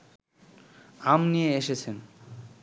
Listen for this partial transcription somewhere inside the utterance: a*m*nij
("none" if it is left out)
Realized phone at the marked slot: m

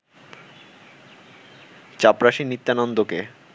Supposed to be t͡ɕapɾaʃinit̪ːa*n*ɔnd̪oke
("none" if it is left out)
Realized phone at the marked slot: n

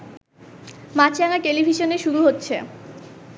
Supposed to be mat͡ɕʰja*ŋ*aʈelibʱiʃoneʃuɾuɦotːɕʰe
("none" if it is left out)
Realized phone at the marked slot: ŋ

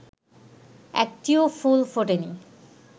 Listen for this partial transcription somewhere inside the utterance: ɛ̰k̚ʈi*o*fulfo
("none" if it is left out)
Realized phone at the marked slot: o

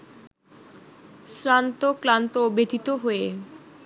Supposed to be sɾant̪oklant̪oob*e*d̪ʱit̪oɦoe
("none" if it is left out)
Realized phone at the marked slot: e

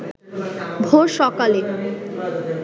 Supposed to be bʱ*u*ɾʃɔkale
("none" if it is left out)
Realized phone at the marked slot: o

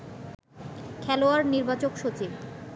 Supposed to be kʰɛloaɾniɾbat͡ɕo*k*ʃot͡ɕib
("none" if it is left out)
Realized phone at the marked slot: k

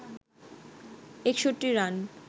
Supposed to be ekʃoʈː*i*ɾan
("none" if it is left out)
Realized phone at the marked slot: i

